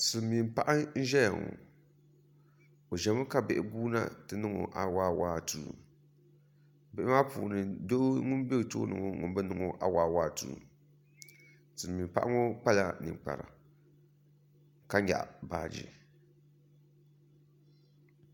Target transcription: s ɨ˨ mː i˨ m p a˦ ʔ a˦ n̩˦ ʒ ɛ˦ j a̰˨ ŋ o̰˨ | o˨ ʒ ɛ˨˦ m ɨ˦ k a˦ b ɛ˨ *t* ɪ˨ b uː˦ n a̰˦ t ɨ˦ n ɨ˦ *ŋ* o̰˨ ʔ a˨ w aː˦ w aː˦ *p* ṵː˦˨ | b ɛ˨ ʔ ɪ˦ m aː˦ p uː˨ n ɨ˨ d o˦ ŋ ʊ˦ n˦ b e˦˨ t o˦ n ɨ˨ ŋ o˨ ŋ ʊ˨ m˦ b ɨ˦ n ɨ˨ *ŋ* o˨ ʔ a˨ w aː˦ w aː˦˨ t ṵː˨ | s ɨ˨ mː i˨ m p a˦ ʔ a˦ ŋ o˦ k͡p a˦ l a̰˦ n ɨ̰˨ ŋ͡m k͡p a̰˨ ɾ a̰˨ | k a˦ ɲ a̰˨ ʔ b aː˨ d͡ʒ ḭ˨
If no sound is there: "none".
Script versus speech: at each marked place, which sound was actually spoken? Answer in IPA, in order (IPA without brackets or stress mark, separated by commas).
ʔ, ŋ, t, ŋ